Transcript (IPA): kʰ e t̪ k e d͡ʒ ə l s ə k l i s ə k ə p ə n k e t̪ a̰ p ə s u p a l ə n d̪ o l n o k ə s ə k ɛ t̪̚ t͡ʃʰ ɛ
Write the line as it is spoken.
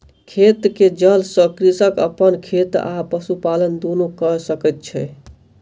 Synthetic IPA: kʰ e t̪ k e d͡ʒ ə l s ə k ɾ i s ə k ə p ə n kʰ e t̪ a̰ p ə s u p a l ə n d̪ o n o k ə s ə k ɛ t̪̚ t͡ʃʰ ɛ

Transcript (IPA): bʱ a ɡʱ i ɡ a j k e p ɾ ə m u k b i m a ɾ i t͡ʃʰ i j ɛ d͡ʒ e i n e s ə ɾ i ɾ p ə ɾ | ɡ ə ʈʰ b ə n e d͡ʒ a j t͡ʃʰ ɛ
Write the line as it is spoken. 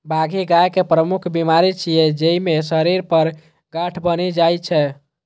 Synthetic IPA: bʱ a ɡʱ i ɡ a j k e p ɾ ə m u kʰ b i m a ɾ i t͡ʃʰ i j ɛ d͡ʒ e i m e s ə ɾ i ɾ p ə ɾ | ɡ a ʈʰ b ə n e d͡ʒ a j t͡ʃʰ ɛ

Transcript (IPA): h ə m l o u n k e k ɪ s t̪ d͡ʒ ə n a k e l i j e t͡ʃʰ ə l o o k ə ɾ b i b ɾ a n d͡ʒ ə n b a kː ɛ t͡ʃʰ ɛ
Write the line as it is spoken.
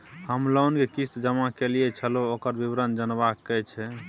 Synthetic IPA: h ə m l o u n k e k i s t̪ d͡ʒ ə m a k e l i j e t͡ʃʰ ə l o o k ə ɾ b i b ɾ ə n d͡ʒ ə n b a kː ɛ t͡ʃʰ ɛ

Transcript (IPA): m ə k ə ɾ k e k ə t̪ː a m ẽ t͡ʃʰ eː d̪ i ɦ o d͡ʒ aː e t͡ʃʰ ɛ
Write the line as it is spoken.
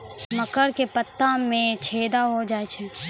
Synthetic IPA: m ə k ə ɾ k e p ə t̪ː a m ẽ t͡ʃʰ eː d̪ a ɦ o d͡ʒ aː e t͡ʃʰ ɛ

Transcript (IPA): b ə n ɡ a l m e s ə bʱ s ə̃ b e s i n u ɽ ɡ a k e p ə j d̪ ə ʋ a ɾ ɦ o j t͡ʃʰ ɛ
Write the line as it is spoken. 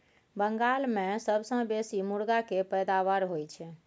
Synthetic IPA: b ə ŋ ɡ a l m e s ə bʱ s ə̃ b e s i m u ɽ ɡ a k e p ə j d̪ a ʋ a ɾ ɦ o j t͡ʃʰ ɛ

